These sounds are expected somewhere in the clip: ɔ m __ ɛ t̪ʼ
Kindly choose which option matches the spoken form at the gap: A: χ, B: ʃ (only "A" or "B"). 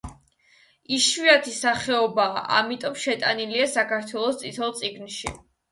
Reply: B